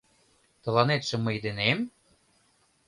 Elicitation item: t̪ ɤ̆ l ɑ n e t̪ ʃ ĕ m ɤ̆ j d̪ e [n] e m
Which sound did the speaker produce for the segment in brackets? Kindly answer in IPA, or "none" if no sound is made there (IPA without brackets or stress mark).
n